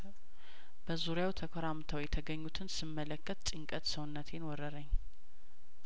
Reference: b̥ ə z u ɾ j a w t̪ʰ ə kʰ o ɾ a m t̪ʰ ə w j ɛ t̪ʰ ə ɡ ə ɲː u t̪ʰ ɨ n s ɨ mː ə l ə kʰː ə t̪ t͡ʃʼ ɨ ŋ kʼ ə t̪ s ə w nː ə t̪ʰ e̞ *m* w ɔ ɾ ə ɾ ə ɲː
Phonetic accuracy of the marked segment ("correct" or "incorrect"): incorrect